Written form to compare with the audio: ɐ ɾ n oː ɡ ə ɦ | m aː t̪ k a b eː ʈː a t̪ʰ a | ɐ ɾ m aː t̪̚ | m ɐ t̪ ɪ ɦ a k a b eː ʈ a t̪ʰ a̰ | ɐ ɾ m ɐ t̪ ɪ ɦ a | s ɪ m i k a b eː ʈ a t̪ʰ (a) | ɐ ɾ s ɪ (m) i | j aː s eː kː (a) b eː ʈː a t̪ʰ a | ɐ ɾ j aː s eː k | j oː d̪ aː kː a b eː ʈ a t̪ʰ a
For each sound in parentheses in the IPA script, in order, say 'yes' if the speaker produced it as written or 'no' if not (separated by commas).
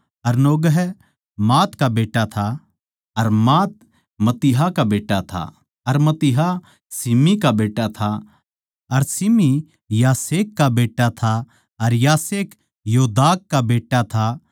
yes, yes, yes